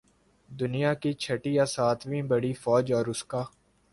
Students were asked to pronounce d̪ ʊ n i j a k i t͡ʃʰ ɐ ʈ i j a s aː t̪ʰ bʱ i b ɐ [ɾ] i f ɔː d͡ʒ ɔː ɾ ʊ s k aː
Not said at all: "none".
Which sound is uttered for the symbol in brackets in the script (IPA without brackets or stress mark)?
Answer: ɽ